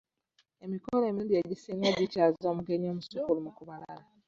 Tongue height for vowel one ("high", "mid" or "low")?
mid